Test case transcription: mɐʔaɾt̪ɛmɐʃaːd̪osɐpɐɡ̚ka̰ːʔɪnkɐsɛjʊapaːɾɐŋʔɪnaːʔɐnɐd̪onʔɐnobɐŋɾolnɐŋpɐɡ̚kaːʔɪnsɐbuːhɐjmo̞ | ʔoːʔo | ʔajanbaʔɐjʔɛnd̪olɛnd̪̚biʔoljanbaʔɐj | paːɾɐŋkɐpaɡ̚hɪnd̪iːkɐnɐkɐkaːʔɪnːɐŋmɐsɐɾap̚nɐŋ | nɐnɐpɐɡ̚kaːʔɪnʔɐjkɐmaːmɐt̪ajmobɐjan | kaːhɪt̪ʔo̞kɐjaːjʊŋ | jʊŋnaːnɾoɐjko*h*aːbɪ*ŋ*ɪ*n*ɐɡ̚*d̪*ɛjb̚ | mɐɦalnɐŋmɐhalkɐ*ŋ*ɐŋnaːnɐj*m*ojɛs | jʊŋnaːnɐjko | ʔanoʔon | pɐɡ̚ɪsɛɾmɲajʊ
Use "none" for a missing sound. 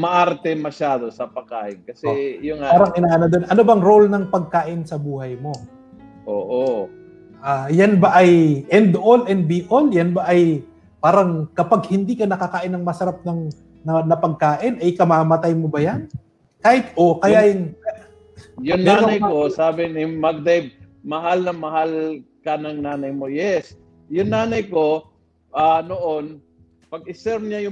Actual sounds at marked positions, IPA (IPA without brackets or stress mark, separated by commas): s, n, m, d̪, n, m